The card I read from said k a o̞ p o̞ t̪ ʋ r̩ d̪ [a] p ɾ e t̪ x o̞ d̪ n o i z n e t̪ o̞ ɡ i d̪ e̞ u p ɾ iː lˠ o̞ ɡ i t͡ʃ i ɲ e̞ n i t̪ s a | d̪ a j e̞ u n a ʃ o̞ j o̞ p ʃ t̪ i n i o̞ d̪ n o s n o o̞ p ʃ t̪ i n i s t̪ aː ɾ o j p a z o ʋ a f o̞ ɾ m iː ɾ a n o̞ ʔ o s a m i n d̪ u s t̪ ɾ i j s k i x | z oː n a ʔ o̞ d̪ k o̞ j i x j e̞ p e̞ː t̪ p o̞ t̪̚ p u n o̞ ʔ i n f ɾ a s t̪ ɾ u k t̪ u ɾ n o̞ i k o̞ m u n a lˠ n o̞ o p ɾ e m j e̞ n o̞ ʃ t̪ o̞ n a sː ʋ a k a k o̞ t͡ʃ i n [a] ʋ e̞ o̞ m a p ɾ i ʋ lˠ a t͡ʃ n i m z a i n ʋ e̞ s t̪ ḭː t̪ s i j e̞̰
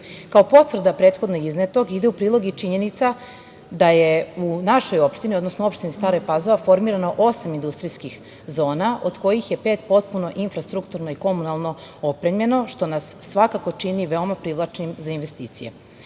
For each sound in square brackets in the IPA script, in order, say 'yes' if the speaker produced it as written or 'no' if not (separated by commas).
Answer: yes, no